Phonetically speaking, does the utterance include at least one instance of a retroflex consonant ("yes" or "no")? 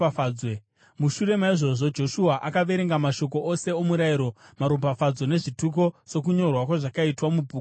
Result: yes